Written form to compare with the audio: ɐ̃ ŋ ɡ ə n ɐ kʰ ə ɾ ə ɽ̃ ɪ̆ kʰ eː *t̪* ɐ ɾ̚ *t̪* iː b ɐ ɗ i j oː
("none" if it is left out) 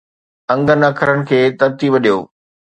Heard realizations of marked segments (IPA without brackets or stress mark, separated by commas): t̪, t̪